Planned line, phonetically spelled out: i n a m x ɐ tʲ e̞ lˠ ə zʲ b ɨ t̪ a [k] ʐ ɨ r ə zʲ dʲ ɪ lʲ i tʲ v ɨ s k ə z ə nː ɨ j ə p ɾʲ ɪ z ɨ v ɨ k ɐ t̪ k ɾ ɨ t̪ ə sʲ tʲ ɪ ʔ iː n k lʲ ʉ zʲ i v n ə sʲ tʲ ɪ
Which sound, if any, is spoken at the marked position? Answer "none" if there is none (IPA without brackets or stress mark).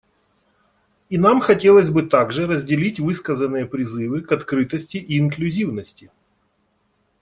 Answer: ɡ